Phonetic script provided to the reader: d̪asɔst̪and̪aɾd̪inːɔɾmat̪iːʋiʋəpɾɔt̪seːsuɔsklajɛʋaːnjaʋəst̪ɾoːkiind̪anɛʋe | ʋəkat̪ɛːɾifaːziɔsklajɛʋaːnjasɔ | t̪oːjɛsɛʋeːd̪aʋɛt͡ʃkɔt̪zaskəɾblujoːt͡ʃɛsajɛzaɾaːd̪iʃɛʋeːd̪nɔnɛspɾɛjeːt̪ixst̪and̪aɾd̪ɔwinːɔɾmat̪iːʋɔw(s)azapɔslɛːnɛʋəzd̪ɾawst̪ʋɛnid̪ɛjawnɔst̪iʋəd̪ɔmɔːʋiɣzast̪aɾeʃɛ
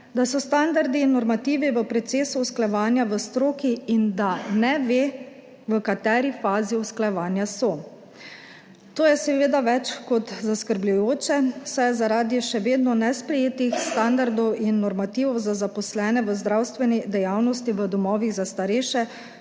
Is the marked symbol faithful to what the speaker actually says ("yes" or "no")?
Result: no